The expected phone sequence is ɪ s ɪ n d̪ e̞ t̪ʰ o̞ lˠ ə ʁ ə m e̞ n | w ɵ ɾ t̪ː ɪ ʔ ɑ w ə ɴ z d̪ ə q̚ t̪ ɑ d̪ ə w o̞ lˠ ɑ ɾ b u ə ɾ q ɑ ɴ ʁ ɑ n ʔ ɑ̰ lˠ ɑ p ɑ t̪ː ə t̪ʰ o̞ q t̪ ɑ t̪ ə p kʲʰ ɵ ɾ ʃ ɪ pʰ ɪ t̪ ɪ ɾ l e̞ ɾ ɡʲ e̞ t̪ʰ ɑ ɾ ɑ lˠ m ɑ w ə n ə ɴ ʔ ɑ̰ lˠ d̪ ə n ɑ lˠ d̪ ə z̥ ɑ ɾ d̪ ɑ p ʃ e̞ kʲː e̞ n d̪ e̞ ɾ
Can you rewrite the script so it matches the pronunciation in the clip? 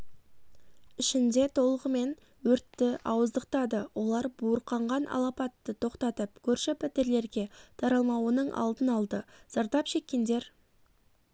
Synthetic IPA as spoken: ɪ ʃ ɪ n d̪ e̞ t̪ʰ o̞ lˠ ə ʁ ə m e̞ n | w ɵ ɾ t̪ː ɪ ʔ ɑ w ə z d̪ ə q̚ t̪ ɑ d̪ ə w o̞ lˠ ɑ ɾ b u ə ɾ q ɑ ɴ ʁ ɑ n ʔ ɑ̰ lˠ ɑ p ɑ t̪ː ə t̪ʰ o̞ q t̪ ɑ t̪ ə p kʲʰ ɵ ɾ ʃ ɪ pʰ ɪ t̪ ɪ ɾ l e̞ ɾ ɡʲ e̞ t̪ʰ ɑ ɾ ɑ lˠ m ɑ w ə n ə ɴ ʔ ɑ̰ lˠ d̪ ə n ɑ lˠ d̪ ə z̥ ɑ ɾ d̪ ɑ p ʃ e̞ kʲː e̞ n d̪ e̞ ɾ